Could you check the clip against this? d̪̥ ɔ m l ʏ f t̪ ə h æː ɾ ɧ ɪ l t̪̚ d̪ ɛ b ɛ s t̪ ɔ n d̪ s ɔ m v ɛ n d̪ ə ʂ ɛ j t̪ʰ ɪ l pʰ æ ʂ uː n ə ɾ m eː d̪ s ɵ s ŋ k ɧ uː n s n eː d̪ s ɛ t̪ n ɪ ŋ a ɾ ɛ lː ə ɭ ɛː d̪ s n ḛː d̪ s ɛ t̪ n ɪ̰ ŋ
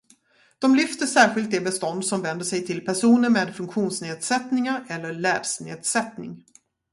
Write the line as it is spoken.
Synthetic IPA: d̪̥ ɔ m l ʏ f t̪ ə ʂ æː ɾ ɧ ɪ l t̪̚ d̪ ɛ b ɛ s t̪ ɔ n d̪ s ɔ m v ɛ n d̪ ə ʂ ɛ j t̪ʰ ɪ l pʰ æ ʂ uː n ə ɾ m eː d̪ f ɵ ŋ k ɧ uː n s n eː d̪ s ɛ t̪ n ɪ ŋ a ɾ ɛ lː ə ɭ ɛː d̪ s n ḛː d̪ s ɛ t̪ n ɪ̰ ŋ